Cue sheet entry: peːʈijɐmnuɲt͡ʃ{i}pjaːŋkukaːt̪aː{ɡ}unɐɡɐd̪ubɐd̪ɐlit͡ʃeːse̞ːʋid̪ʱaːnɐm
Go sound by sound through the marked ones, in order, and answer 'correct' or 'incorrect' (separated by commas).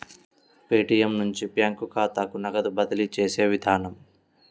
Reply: correct, incorrect